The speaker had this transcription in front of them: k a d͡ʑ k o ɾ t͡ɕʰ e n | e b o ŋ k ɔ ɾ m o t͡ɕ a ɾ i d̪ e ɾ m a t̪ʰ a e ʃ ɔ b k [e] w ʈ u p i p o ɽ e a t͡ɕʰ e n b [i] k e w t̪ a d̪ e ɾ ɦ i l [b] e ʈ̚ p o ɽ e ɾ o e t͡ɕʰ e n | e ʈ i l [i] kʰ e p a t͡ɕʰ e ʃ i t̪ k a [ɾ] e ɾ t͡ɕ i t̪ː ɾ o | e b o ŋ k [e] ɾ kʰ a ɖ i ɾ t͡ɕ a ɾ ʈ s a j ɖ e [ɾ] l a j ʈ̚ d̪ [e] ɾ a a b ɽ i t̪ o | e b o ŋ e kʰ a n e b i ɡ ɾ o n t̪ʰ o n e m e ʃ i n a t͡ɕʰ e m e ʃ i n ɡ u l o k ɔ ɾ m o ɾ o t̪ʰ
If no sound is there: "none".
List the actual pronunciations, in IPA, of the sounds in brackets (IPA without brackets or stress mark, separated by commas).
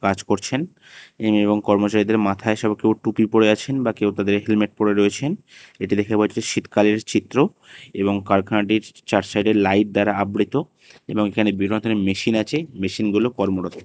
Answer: e, a, m, e, l, a, ɾ, a